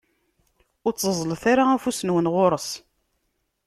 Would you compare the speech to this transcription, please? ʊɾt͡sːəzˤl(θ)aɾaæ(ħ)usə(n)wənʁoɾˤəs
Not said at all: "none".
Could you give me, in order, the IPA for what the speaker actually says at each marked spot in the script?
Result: θ, f, n

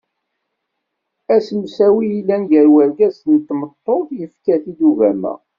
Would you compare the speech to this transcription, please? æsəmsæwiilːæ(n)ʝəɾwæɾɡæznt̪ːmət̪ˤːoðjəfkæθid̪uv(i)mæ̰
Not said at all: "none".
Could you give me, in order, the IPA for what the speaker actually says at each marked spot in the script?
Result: n, æ

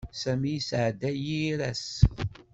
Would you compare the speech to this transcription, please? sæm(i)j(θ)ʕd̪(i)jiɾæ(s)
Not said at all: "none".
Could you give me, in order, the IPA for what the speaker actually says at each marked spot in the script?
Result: i, s, æ, s

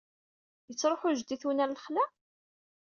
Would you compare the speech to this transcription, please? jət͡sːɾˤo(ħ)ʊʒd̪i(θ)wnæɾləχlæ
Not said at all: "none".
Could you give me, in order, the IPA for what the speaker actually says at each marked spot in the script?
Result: ħ, θ

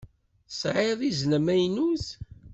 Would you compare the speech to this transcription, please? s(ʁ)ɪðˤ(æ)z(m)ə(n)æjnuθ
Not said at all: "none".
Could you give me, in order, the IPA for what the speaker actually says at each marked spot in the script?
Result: ʕ, i, n, m

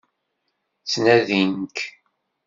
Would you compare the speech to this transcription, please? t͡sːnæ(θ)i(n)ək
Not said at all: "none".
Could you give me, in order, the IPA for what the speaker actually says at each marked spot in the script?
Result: ð, n

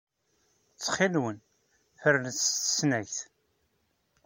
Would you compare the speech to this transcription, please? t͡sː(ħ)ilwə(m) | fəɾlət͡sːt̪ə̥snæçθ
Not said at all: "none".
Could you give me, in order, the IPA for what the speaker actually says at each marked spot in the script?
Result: χ, n

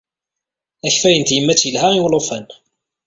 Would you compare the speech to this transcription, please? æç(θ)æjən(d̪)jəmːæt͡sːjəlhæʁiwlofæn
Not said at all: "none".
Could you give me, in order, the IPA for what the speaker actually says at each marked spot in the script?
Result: f, t̪

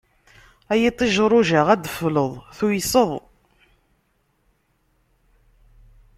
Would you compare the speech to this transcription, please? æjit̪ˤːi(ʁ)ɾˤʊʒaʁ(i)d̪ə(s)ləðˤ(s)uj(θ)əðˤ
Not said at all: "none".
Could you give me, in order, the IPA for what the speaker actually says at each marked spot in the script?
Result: ʒ, æ, f, θ, s

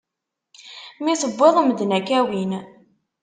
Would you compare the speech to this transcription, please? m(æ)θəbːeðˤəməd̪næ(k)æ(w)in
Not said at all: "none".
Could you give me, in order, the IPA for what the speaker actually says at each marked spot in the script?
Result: i, k, w

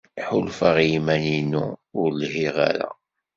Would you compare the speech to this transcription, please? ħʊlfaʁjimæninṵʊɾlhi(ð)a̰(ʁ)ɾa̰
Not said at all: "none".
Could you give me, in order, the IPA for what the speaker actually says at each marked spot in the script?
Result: ʁ, none

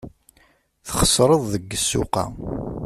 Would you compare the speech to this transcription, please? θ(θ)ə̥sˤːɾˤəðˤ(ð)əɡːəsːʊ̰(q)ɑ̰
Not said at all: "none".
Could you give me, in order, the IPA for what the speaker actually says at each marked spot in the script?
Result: χ, ð, q

